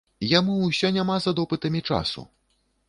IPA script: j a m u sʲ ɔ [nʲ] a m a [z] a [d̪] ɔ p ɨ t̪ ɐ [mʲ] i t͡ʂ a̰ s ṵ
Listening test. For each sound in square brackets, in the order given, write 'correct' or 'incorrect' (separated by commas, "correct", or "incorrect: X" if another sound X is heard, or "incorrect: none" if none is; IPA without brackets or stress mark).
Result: correct, correct, correct, correct